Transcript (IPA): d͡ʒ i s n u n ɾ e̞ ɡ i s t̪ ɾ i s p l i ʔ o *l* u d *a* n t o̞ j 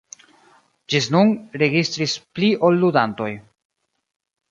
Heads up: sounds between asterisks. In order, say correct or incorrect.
incorrect: lː, correct

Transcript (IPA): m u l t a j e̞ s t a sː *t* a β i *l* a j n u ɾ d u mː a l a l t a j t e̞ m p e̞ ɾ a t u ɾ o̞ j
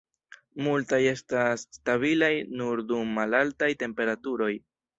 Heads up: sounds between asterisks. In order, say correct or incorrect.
correct, correct

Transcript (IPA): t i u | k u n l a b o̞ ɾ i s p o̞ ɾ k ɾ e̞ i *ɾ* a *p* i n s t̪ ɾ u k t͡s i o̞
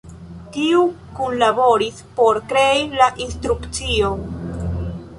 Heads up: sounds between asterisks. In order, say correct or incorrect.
incorrect: l, incorrect: ʔ

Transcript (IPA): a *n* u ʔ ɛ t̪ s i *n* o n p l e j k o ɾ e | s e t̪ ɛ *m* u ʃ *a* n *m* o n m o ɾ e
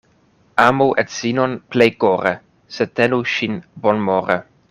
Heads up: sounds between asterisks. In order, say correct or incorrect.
incorrect: m, correct, incorrect: n, incorrect: i, incorrect: b

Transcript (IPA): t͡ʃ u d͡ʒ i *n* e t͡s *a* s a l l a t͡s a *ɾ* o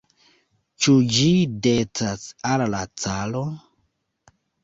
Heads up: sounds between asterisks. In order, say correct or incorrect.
incorrect: d, correct, incorrect: l

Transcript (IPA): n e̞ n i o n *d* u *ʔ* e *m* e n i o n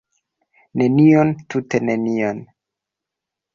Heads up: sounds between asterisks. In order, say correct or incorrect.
incorrect: t, incorrect: t, incorrect: n

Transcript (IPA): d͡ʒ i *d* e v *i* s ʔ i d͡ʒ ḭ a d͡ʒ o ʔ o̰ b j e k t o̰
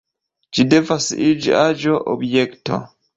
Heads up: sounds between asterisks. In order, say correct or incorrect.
correct, incorrect: a

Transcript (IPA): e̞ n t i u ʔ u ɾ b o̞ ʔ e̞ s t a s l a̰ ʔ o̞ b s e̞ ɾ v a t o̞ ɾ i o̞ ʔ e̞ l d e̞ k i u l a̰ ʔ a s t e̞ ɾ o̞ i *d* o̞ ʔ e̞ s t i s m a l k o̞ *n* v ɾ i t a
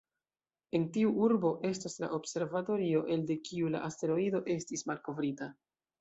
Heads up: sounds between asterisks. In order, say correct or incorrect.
correct, incorrect: none

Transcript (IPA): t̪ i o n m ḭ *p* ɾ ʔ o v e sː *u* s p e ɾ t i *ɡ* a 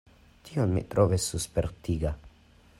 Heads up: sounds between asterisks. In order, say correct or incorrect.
incorrect: t, correct, correct

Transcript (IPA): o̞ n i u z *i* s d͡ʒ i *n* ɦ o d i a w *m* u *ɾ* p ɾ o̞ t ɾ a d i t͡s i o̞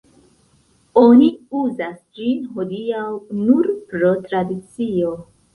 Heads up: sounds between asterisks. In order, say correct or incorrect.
incorrect: a, correct, incorrect: n, correct

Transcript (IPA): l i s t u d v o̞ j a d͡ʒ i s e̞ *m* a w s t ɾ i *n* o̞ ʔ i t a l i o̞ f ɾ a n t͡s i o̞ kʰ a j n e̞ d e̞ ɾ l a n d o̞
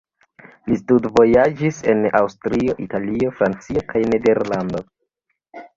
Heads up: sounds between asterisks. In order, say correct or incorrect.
incorrect: n, incorrect: none

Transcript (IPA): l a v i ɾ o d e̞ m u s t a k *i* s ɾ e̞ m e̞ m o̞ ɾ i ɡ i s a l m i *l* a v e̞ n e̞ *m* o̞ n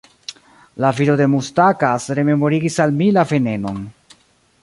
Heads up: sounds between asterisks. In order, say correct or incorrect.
incorrect: a, correct, incorrect: n

